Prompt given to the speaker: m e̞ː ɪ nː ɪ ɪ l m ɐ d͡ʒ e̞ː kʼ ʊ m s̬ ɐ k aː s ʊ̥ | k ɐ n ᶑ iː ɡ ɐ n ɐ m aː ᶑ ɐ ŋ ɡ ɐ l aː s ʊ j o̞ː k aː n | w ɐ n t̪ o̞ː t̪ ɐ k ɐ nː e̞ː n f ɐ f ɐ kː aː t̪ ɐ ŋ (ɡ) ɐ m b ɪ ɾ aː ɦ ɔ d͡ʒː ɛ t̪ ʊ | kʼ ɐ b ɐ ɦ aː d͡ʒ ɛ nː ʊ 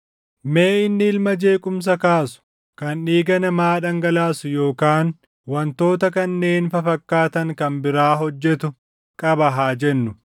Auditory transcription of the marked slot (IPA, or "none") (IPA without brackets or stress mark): k